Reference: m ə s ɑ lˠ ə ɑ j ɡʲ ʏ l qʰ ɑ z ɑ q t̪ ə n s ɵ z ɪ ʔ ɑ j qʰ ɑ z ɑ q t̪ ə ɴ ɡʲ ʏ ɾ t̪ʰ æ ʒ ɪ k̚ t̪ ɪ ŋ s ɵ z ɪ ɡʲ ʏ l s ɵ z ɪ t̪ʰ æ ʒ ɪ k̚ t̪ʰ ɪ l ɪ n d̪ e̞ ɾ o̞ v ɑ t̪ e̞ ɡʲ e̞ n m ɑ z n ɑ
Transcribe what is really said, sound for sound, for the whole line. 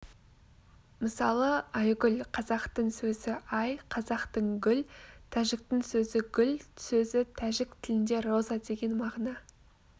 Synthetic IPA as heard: m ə s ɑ lˠ ə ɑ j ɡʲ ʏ l qʰ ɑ z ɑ q t̪ ə ɴ s ɵ z ɪ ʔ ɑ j qʰ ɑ z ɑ q t̪ ə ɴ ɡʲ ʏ l t̪ʰ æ ʒ ɪ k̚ t̪ ɪ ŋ s ɵ z ɪ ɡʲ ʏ l s ɵ z ɪ t̪ʰ æ ʒ ɪ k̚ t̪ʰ ɪ l ɪ n d̪ e̞ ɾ o̞ z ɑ d̪ e̞ ɡʲ e̞ n m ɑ ʁ n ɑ